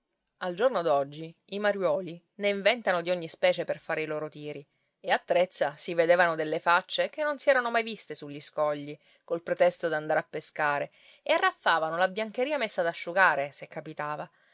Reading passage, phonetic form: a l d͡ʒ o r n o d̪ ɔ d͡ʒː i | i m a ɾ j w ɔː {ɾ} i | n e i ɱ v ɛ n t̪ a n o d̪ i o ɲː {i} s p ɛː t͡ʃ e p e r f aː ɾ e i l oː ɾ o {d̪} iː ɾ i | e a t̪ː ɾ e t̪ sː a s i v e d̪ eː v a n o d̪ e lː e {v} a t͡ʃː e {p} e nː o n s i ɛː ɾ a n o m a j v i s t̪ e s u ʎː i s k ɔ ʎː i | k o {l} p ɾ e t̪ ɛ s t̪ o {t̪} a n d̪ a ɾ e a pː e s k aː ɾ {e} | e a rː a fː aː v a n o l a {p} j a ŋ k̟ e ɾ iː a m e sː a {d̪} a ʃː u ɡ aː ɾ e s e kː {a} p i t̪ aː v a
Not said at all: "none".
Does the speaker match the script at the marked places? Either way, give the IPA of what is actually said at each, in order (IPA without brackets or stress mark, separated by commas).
l, i, t̪, f, k, l, d̪, e, b, d̪, a